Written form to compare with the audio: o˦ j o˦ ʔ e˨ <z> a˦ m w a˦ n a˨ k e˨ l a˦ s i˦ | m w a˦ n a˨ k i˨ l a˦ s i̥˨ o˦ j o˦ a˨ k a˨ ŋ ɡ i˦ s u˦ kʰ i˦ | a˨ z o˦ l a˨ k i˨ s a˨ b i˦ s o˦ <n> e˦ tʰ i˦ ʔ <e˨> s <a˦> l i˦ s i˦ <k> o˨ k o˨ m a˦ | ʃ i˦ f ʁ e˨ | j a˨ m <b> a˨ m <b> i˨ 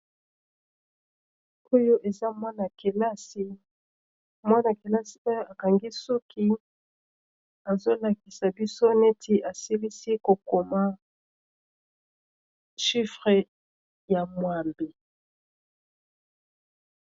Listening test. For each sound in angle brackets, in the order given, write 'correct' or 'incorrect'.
correct, correct, incorrect: a˨, incorrect: i˦, correct, incorrect: w, correct

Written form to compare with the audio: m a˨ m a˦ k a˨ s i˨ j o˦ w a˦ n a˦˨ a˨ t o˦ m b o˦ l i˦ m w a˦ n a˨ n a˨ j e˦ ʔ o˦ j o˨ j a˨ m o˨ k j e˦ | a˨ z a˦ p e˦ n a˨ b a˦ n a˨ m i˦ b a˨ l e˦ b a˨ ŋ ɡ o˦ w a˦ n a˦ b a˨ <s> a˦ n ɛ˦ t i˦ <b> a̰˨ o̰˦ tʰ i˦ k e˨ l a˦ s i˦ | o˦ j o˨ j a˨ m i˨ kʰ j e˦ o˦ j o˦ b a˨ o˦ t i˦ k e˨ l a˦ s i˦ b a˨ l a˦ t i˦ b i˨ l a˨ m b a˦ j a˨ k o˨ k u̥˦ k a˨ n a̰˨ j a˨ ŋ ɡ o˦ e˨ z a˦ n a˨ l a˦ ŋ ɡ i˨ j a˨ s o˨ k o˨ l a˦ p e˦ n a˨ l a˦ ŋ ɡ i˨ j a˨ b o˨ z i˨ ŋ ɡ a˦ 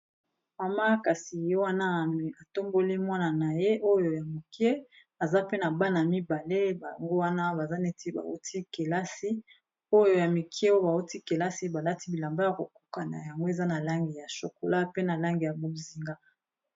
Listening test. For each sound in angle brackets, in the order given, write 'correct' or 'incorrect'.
incorrect: z, correct

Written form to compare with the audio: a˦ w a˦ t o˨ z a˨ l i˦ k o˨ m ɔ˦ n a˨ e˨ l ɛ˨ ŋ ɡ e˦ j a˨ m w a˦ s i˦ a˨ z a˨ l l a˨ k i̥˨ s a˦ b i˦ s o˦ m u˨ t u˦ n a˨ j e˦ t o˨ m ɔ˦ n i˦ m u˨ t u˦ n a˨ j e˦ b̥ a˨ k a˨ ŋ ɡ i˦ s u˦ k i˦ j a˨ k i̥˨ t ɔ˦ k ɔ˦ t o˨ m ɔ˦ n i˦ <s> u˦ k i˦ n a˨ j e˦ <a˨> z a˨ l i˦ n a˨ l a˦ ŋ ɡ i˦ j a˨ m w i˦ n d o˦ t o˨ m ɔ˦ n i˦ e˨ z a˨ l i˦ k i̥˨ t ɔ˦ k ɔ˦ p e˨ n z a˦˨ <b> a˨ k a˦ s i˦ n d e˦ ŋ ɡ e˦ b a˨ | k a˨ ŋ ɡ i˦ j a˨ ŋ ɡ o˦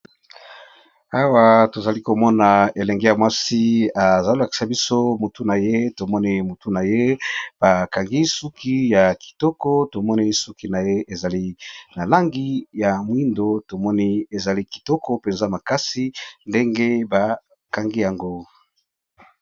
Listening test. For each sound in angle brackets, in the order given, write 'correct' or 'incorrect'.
correct, incorrect: e˨, incorrect: m

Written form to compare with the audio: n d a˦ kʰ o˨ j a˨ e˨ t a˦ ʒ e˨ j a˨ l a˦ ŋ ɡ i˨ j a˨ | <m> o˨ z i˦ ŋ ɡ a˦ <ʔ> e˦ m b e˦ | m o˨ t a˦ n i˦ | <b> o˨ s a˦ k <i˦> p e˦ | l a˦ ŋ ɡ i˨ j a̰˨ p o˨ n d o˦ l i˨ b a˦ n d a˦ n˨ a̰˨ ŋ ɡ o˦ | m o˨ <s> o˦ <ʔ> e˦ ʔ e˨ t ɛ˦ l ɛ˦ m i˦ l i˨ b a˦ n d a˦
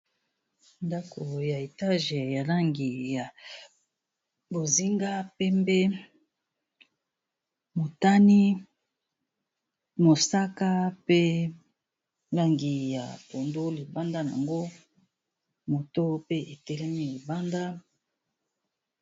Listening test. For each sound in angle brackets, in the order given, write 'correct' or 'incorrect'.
incorrect: b, incorrect: p, incorrect: m, incorrect: a˦, incorrect: t, incorrect: p

